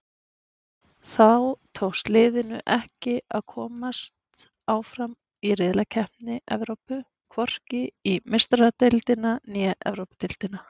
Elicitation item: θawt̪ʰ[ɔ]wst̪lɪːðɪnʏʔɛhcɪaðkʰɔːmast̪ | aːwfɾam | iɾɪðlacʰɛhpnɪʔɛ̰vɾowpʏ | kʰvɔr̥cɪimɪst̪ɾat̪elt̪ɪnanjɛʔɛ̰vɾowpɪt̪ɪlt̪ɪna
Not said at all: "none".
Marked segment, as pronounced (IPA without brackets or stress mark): o